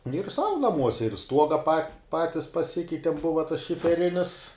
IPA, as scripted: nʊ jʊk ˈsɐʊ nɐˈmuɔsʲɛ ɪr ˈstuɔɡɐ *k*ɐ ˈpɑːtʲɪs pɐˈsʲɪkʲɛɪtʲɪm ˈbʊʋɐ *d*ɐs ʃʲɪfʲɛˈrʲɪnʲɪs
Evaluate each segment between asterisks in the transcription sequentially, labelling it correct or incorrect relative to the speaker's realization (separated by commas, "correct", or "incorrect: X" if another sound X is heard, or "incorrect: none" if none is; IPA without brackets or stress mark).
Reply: incorrect: p, incorrect: t